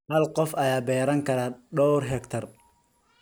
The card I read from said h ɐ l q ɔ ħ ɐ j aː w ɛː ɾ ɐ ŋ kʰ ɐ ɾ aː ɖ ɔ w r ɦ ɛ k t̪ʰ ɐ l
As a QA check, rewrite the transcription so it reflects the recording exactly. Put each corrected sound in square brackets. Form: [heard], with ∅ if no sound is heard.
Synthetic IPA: h ɐ l q ɔ [f] ɐ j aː [b] ɛː ɾ ɐ ŋ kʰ ɐ ɾ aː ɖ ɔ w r ɦ ɛ k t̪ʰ ɐ [r]